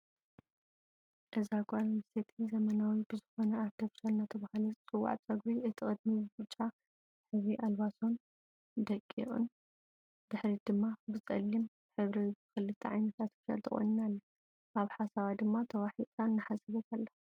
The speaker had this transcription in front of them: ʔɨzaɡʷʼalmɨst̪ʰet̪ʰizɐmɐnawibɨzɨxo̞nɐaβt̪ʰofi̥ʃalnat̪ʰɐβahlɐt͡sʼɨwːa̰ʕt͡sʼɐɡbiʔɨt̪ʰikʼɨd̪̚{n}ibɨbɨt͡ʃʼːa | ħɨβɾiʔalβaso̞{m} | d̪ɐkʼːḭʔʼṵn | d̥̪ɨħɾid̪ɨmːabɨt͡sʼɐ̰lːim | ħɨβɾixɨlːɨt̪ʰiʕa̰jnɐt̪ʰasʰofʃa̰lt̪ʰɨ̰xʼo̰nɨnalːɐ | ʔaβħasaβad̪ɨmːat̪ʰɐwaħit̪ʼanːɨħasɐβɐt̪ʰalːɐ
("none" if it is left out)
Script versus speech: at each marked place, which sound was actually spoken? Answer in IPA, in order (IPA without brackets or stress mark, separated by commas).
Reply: m, n